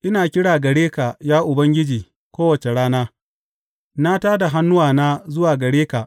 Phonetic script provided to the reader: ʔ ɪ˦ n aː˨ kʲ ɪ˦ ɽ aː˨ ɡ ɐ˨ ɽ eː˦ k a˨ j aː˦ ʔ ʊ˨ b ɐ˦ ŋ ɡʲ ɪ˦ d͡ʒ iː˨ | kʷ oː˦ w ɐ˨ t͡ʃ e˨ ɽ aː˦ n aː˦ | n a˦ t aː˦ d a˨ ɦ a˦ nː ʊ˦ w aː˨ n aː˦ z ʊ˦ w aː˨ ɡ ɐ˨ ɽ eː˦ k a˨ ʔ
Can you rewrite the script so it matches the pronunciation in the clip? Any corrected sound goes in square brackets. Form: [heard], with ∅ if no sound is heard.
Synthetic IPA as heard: ʔ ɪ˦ n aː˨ kʲ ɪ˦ ɽ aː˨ ɡ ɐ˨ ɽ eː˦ k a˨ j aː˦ ʔ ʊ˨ b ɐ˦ ŋ ɡʲ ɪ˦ d͡ʒ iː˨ | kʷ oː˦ w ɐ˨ t͡ʃ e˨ ɽ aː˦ n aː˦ | n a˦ t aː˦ d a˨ ɦ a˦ nː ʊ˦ w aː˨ n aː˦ z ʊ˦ w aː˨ ɡ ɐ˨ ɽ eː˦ k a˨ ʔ